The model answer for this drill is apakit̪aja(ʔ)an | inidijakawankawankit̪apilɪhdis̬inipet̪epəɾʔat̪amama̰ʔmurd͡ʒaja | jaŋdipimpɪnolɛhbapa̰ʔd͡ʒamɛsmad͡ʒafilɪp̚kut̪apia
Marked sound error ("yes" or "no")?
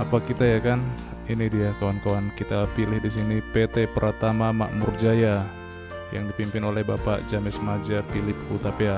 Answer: yes